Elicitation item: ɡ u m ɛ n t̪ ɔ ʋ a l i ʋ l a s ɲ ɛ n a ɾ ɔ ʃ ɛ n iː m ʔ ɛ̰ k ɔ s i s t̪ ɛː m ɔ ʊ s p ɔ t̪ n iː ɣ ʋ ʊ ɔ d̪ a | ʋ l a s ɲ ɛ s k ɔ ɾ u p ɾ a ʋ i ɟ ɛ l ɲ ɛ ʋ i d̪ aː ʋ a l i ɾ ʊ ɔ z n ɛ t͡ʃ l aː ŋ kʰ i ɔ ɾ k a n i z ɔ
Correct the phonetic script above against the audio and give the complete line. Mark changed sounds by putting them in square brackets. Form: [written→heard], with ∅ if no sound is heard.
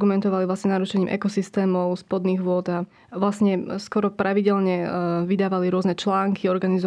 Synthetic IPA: ɡ u m ɛ n t̪ ɔ ʋ a l i ʋ l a s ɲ ɛ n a ɾ [ɔ→u] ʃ ɛ [n→ɲ] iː m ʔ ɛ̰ k ɔ s i s t̪ ɛː m ɔ ʊ s p ɔ [t̪→d̪] n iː ɣ ʋ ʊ ɔ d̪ a | ʋ l a s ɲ ɛ s k ɔ ɾ [u→ɔ] p ɾ a ʋ i ɟ ɛ l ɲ ɛ ʋ i d̪ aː ʋ a l i ɾ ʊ ɔ z n ɛ t͡ʃ l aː ŋ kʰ i ɔ ɾ [k→ɡ] a n i z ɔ